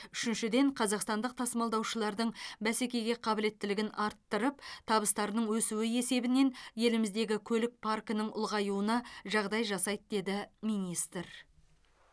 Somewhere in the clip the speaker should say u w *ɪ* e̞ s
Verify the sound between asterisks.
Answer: correct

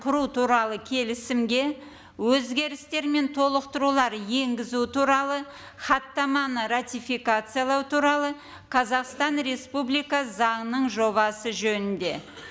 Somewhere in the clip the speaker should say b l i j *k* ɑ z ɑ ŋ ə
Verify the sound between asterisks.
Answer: correct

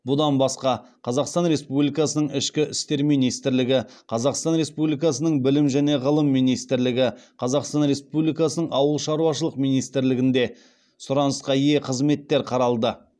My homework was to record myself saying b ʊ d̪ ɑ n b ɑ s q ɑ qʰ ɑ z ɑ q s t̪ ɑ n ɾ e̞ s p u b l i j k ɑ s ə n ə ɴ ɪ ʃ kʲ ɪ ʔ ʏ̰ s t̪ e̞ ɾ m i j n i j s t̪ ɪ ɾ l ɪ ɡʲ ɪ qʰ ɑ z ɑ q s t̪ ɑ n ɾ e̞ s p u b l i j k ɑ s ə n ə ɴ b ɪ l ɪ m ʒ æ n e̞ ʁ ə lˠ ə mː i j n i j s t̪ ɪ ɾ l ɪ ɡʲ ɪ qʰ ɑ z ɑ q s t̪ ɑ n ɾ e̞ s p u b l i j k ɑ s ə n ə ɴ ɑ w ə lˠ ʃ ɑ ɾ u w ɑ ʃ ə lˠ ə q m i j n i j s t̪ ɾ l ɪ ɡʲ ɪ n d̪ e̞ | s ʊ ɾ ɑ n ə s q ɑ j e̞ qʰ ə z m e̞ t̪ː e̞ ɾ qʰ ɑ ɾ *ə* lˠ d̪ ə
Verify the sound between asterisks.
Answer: incorrect: ɑ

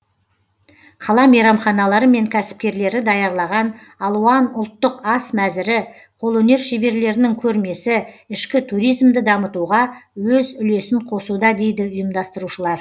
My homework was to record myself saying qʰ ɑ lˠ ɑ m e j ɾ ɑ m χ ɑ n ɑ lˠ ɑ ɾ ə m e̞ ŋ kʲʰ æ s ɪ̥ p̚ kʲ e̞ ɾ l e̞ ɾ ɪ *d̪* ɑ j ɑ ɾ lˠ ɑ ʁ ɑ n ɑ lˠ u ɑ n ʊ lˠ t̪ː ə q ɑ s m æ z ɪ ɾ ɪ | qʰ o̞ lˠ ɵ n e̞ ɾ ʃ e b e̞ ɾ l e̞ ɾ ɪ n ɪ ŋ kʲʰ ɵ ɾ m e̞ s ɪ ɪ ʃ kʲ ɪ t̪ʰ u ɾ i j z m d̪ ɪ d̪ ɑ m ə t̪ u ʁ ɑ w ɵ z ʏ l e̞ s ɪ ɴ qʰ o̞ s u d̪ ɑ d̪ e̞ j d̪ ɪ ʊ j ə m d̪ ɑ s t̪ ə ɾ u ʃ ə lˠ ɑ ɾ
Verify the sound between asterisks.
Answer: correct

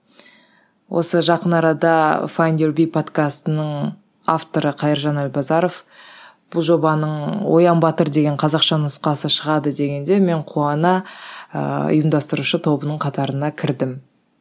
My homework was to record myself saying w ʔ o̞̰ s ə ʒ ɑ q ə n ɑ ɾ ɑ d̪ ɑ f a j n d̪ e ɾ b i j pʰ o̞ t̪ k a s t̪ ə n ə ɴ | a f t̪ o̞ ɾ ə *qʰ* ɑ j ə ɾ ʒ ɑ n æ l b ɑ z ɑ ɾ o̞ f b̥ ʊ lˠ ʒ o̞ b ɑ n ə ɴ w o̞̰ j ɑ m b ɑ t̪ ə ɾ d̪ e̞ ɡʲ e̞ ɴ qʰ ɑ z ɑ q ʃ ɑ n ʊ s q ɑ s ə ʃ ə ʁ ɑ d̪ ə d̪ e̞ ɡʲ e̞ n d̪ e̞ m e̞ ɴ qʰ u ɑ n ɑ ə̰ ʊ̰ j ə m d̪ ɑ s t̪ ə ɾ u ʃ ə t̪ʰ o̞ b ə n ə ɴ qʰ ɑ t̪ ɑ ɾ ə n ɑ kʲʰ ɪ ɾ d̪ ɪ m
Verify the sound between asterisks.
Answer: correct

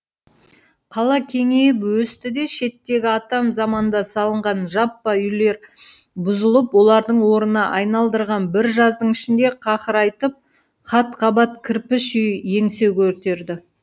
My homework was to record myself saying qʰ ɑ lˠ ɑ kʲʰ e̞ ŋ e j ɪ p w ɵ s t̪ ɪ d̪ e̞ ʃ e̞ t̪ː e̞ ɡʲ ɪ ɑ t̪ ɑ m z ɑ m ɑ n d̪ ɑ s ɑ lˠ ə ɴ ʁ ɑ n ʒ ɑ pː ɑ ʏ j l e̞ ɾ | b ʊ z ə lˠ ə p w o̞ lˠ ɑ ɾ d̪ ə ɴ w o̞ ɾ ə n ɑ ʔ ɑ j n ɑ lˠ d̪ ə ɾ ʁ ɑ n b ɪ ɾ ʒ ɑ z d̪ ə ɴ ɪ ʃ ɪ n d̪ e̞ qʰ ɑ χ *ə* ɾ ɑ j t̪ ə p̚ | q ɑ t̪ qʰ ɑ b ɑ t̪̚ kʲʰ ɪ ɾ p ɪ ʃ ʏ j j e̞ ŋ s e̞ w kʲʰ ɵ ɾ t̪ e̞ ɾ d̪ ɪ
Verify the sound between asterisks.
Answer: correct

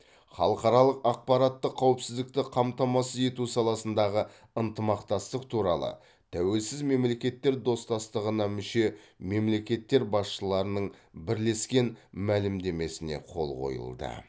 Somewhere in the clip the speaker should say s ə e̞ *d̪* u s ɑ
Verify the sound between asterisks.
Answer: incorrect: t̪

